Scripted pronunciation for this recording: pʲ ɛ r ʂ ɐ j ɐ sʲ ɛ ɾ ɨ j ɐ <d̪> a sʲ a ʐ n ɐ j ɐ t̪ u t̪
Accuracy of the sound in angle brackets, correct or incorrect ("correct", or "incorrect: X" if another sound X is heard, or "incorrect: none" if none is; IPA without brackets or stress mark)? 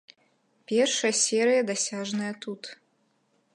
correct